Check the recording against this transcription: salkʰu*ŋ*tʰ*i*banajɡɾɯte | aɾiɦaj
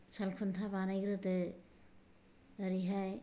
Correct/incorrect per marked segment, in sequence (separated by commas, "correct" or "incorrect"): incorrect, incorrect